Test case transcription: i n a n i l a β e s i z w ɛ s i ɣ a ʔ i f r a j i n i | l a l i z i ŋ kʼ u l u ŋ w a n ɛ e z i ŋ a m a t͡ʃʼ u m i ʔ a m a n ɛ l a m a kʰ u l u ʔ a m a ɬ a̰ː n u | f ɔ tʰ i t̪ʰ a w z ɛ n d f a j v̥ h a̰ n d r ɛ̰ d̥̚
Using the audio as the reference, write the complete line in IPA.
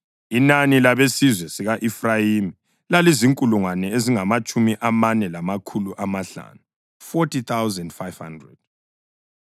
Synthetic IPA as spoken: i n a n i l a β e s i z w ɛ s i ɣ a ʔ i f r a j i m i | l a l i z i ŋ kʼ u l u ŋ w a n ɛ e z i ŋ a m a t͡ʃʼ u m i ʔ a m a n ɛ l a m a kʰ u l u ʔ a m a ɬ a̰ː n u | f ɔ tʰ i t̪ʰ a w z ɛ n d f a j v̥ h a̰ n d r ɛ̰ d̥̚